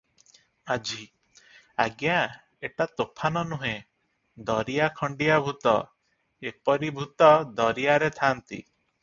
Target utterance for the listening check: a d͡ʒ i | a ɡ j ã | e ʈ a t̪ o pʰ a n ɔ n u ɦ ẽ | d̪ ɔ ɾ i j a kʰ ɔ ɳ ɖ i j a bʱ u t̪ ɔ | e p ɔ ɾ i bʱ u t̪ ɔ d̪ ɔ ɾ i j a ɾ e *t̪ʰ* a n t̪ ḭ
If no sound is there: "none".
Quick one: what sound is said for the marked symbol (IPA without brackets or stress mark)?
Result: t̪ʰ